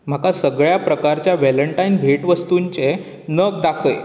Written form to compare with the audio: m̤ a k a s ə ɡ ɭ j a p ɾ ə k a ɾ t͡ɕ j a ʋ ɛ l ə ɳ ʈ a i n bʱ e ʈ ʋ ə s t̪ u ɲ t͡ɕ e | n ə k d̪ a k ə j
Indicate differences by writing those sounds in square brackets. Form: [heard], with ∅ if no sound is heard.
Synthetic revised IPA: m̤ a k a s ə ɡ ɭ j a p ɾ ə k a ɾ t͡ɕ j a ʋ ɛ l ə ɳ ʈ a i n bʱ e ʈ ʋ ə s t̪ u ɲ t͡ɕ e | n ə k d̪ a [kʰ] ə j